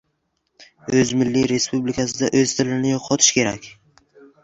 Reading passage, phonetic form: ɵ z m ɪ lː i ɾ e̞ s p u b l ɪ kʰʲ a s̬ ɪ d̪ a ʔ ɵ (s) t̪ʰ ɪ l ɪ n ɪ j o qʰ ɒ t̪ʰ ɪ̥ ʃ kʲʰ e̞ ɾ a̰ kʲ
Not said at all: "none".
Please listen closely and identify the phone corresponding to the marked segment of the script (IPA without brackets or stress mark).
z